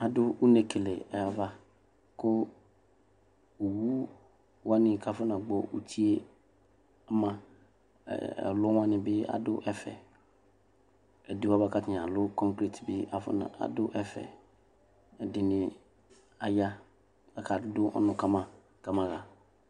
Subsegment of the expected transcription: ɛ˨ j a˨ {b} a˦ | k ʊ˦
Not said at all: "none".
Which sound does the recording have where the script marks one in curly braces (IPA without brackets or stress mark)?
v